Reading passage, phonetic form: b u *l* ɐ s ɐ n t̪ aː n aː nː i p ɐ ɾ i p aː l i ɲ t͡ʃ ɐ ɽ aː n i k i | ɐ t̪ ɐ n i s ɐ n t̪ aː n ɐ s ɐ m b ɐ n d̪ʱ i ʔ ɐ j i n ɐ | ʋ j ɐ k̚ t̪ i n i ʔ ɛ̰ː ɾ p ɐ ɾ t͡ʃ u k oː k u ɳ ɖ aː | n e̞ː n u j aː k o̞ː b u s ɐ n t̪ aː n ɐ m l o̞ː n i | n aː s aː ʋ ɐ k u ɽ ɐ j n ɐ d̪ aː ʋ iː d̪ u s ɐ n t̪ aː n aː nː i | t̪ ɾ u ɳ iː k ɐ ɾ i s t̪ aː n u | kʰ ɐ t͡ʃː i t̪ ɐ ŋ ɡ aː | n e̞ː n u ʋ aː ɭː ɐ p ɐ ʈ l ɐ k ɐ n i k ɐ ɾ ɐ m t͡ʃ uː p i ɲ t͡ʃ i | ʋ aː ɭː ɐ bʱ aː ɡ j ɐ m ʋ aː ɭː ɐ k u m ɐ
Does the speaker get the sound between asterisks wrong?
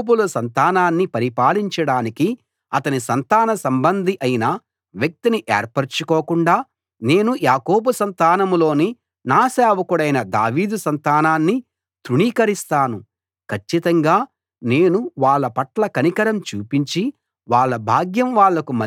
no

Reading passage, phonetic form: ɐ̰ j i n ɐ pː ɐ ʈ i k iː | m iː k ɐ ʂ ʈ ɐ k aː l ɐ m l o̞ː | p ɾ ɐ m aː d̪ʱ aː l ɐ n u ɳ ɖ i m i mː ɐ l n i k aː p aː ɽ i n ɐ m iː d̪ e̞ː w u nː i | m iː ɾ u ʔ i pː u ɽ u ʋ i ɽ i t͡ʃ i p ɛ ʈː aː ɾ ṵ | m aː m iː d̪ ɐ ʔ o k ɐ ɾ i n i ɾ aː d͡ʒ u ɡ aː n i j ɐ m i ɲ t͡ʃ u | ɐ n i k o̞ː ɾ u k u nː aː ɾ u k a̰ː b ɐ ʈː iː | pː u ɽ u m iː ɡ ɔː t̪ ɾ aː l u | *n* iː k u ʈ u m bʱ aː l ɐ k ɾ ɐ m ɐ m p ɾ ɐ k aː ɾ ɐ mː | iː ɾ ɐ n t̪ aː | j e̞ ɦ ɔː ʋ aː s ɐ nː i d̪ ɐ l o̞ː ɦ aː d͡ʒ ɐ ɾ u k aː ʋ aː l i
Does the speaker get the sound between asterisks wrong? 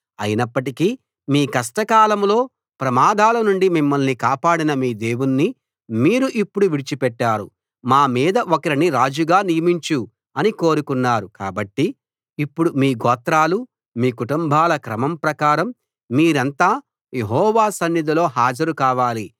yes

